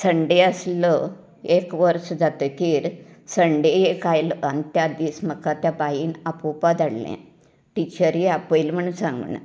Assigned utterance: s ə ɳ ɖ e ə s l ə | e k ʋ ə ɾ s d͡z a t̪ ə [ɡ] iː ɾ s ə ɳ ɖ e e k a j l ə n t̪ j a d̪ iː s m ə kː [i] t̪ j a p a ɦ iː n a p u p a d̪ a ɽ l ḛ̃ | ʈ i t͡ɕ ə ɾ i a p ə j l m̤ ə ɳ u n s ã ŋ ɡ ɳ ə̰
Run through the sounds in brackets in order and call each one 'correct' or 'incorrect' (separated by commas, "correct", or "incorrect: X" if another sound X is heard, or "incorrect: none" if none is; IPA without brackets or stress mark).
incorrect: k, incorrect: a